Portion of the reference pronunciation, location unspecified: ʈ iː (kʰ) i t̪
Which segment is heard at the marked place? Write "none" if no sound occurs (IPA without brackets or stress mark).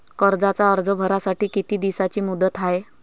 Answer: k